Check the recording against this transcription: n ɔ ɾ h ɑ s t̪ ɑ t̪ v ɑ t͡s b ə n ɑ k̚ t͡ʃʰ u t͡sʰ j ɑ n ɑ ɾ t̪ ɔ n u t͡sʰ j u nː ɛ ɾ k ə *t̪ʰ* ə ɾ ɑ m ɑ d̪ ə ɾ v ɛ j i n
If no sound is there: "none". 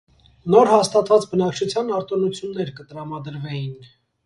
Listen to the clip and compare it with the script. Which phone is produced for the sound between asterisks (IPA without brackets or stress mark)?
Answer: t̪